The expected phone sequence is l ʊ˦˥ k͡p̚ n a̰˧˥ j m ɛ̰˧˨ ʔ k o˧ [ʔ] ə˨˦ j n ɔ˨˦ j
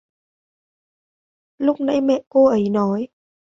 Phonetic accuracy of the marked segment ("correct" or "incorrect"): correct